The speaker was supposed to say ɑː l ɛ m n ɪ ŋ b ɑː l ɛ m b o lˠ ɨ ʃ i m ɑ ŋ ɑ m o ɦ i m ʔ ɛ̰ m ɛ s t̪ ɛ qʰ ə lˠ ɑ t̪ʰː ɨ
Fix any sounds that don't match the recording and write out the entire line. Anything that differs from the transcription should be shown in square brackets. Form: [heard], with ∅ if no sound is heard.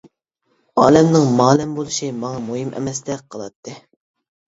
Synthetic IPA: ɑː l ɛ m n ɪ ŋ [m] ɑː l ɛ m b o lˠ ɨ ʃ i m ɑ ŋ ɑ m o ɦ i m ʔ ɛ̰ m ɛ s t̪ ɛ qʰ ə lˠ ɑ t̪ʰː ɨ